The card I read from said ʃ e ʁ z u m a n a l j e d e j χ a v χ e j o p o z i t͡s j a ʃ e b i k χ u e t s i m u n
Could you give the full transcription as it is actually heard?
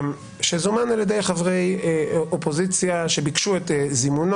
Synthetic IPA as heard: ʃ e z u m a n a l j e d e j χ a v ʁ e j o p o z i t͡s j a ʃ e b i k ʃ u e t z i m u n